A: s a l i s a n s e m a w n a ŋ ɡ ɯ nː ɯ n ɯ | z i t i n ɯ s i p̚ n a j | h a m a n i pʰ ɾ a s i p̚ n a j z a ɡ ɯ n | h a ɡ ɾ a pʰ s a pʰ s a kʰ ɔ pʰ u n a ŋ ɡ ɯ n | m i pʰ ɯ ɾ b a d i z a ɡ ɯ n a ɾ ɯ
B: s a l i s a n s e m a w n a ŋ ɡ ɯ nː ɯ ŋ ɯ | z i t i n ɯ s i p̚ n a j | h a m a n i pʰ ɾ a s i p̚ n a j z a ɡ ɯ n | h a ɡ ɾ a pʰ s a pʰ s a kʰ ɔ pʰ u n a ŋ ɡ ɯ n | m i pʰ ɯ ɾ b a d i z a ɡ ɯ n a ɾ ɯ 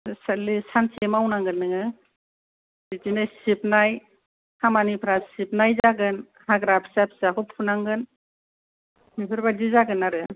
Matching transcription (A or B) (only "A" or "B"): B